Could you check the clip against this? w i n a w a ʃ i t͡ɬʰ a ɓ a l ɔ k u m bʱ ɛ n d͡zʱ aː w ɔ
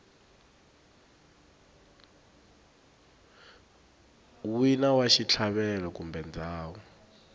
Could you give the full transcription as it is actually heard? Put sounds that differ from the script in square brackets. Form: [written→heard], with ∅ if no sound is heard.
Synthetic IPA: w i n a w a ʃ i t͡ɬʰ a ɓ [a→ɛ] l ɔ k u m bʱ ɛ n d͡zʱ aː w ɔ